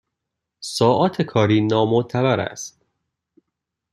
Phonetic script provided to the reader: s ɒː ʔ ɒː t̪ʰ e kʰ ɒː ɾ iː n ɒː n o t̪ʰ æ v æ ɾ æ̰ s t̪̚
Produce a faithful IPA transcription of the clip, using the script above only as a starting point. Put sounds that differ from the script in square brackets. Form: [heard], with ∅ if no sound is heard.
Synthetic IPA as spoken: s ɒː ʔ ɒː t̪ʰ e kʰ ɒː ɾ iː n ɒː [m] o t̪ʰ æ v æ ɾ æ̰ s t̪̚